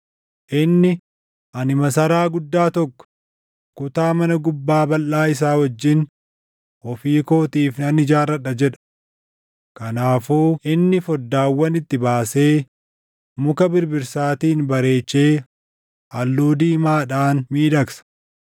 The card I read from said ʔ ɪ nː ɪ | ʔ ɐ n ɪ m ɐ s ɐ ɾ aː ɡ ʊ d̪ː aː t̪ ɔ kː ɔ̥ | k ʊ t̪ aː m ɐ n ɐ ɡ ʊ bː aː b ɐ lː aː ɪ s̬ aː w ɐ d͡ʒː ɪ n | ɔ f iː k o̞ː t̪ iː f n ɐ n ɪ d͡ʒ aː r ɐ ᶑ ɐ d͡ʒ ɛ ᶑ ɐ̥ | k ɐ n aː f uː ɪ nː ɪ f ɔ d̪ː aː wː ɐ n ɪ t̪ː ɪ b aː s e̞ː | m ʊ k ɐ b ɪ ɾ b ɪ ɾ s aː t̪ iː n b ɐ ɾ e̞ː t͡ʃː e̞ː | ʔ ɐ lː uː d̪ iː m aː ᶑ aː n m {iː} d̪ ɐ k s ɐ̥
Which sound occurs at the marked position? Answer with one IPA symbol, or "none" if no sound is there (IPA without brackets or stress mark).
iː